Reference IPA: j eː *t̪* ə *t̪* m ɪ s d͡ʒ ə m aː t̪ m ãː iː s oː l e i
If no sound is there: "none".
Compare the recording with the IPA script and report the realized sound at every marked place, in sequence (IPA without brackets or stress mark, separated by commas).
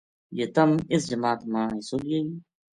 t̪, none